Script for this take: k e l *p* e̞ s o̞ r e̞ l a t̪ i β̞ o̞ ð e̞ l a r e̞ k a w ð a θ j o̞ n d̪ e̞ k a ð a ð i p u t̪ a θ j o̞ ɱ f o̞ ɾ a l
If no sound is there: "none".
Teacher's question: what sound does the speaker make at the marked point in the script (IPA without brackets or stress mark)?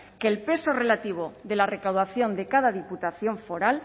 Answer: p